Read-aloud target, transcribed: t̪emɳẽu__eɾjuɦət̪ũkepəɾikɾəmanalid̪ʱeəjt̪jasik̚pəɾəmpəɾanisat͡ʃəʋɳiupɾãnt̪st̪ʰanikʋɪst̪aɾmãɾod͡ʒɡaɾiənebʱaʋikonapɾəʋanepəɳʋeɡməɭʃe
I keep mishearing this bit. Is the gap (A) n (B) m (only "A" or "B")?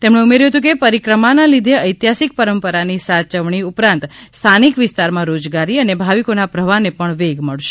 B